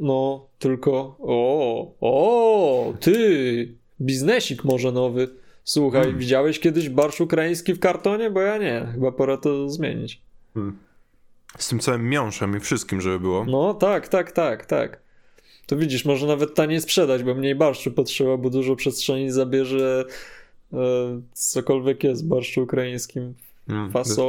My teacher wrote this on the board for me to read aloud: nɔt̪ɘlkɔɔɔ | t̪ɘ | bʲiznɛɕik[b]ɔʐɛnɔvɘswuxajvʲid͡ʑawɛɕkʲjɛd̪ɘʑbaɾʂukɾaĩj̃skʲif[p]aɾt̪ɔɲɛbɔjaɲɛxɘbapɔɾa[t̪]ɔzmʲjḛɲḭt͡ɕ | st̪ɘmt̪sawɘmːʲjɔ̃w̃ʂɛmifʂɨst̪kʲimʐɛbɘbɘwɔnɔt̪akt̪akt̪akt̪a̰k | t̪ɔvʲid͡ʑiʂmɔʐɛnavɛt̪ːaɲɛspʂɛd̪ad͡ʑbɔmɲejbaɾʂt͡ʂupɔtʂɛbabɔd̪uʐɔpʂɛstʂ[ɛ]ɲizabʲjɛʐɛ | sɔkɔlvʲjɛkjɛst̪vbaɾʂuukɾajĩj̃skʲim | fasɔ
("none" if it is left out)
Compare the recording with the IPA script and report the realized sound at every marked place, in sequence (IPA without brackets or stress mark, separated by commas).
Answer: m, k, t̪, ɛ